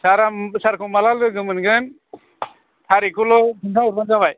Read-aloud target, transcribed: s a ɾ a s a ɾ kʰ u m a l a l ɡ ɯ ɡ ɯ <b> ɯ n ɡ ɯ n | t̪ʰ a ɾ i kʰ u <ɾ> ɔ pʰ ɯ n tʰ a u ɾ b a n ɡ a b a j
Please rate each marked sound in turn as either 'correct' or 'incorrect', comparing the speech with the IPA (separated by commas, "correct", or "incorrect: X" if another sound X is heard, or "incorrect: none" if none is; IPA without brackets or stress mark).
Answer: incorrect: m, incorrect: l